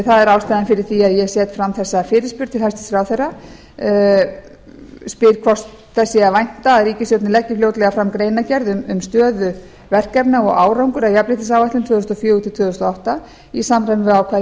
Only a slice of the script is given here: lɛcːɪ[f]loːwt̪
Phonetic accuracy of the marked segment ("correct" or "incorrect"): correct